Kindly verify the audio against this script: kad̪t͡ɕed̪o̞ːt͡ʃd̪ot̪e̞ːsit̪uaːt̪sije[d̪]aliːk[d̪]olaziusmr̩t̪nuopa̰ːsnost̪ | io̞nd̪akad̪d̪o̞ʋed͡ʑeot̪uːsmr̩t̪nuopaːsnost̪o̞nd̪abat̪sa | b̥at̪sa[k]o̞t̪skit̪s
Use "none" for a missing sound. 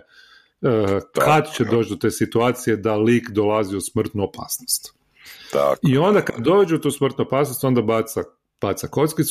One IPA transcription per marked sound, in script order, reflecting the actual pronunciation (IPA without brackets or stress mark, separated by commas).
d̪, d̪, k